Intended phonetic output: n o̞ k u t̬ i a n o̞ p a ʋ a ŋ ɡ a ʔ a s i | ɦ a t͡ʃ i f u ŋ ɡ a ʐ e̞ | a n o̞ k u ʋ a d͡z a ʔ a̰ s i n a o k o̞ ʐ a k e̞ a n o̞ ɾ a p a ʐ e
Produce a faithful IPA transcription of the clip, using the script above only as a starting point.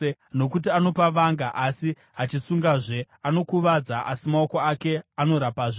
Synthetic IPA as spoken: n o̞ k u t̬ i a n o̞ p a ʋ a ŋ ɡ a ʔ a s i | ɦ a t͡ʃ i s u ŋ ɡ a ʐ e̞ | a n o̞ k u ʋ a d͡z a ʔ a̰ s i m a o k o̞ a k e̞ a n o̞ ɾ a p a ʐ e